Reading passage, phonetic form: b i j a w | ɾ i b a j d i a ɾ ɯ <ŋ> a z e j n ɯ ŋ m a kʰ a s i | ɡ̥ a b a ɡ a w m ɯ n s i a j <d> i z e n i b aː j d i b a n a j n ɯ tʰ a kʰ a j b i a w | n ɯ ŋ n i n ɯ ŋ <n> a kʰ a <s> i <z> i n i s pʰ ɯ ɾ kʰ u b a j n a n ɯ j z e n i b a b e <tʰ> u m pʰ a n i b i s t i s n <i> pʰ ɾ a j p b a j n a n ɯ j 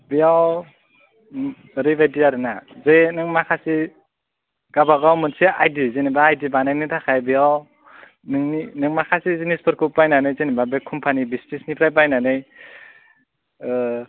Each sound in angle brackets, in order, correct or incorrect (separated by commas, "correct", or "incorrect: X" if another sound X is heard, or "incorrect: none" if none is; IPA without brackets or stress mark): incorrect: n, correct, incorrect: m, correct, correct, incorrect: kʰ, correct